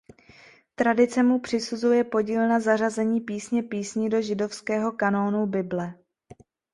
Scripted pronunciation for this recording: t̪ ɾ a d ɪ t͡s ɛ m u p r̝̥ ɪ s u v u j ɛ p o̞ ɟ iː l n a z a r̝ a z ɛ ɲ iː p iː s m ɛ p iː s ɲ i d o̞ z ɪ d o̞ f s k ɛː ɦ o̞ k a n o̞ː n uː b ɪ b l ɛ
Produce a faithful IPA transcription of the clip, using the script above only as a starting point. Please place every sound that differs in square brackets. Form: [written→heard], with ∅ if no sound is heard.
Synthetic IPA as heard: t̪ ɾ a d ɪ t͡s ɛ m u p r̝̥ ɪ s u [v→z] u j ɛ p o̞ ɟ iː l n a z a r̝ a z ɛ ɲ iː p iː s [m→ɲ] ɛ p iː s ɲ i d o̞ [z→ʒ] ɪ d o̞ f s k ɛː ɦ o̞ k a n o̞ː n [uː→u] b ɪ b l ɛ